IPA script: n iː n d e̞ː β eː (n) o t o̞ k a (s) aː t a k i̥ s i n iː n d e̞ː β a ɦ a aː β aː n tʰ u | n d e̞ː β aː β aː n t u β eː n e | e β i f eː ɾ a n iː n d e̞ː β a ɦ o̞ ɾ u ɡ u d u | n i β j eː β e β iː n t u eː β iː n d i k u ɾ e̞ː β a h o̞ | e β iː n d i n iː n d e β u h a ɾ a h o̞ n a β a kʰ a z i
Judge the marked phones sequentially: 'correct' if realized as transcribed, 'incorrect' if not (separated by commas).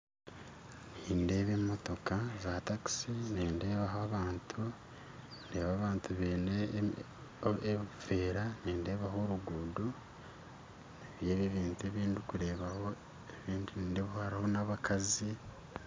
incorrect, incorrect